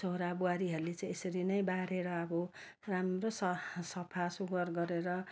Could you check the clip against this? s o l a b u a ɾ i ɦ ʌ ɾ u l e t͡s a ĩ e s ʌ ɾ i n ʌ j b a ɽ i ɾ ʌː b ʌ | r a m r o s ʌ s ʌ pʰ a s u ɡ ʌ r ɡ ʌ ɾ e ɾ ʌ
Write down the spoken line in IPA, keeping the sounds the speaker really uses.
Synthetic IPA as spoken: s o ɾ a b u a ɾ i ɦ ʌ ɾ u l e t͡s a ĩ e s ʌ ɾ i n ʌ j b a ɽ e ɾ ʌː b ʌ | r a m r o s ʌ s ʌ pʰ a s u ɡ ʌ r ɡ ʌ ɾ e ɾ ʌ